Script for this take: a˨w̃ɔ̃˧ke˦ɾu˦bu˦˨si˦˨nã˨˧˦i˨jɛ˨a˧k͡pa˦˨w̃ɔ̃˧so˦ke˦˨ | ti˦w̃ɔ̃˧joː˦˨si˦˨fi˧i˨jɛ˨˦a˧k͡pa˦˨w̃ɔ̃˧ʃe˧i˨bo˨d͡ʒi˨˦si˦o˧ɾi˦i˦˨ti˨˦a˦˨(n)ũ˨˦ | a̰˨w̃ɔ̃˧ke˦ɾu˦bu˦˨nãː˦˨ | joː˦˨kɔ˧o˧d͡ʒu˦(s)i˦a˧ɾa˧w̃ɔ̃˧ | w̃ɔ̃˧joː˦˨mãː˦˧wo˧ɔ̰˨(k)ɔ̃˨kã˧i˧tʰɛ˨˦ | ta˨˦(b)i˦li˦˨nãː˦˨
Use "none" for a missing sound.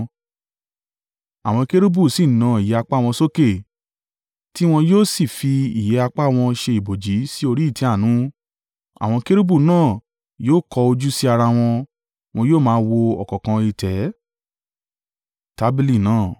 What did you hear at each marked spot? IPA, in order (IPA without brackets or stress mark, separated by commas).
n, s, k, b